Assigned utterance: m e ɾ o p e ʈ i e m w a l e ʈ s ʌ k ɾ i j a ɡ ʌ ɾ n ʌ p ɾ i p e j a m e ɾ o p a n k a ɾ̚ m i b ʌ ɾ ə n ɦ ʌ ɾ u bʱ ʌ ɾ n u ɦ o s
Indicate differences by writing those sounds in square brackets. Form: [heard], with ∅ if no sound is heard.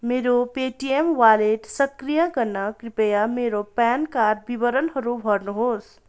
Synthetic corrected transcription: m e ɾ o p e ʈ i e m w a l e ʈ s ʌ k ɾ i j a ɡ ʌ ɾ n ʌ [k] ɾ i p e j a m e ɾ o p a n k a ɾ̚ [b] i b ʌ ɾ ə n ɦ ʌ ɾ u bʱ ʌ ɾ n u ɦ o s